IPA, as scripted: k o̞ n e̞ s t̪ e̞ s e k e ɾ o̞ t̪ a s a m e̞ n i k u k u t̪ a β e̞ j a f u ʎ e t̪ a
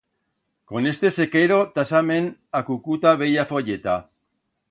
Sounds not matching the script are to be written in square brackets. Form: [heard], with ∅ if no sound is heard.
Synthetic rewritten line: k o̞ n e̞ s t̪ e̞ s e k e ɾ o̞ t̪ a s a m e̞ n [a] k u k u t̪ a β e̞ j a f [o] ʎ e t̪ a

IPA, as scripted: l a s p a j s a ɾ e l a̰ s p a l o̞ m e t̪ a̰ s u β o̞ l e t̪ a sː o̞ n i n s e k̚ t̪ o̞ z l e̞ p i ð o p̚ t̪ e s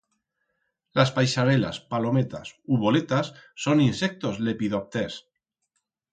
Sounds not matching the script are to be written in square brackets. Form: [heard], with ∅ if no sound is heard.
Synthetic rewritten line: l a s p a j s a ɾ e l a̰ s p a l o̞ m e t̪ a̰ s u β o̞ l e t̪ a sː o̞ n i n s e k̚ t̪ o̞ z l e̞ p i ð o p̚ t̪ e s

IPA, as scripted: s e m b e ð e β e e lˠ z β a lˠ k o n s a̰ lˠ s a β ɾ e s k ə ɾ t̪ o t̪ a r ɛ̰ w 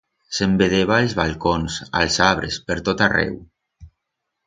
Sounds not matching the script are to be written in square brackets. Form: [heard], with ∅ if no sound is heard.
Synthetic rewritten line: s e m b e ð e β [a] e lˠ z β a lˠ k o n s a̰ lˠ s a β ɾ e s [p] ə ɾ t̪ o t̪ a r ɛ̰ w

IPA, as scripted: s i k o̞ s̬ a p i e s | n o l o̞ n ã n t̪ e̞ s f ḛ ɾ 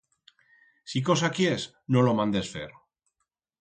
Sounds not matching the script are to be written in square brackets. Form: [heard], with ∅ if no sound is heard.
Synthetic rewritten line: s i k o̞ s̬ a [k] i e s | n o l o̞ [m] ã n [d̪] e̞ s f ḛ ɾ

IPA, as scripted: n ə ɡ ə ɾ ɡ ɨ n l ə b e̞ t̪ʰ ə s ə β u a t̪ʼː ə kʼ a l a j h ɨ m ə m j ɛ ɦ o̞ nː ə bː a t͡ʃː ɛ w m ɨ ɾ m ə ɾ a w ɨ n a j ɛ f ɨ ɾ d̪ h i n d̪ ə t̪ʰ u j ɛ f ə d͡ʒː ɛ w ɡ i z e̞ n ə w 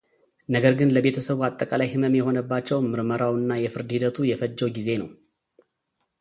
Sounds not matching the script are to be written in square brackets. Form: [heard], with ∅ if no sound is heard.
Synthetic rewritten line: n ə ɡ ə ɾ ɡ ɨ n l ə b e̞ t̪ʰ ə s ə β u a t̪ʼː ə kʼ a l a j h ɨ m ə m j ɛ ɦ o̞ [n] ə bː a t͡ʃː ɛ w m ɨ ɾ m ə ɾ a w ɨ [nː] a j ɛ f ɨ ɾ d̪ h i [∅] d̪ ə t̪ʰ u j ɛ f ə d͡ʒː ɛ w ɡ i z e̞ n ə w

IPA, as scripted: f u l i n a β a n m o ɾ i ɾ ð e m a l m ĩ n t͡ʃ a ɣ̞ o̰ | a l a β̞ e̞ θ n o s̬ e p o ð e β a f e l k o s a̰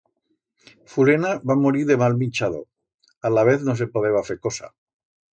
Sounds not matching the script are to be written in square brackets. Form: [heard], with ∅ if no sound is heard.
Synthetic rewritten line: f u l [e] n a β a [∅] m o ɾ i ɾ ð e m a l m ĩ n t͡ʃ a [ð̞] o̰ | a l a β̞ e̞ θ n o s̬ e p o ð e β a f e [∅] k o s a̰

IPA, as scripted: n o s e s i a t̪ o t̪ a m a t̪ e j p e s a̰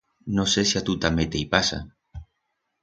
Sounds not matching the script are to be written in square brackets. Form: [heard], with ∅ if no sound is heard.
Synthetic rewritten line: n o s e s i a t̪ [u] t̪ a m [e] t̪ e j p [a] s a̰

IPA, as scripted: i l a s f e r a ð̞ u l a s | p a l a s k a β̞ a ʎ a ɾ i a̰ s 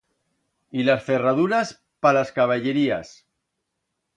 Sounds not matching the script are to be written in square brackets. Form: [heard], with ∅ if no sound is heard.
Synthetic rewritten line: i l a s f e r a ð̞ u [ɾ] a s | p a l a s k a β̞ a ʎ [e] ɾ i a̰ s

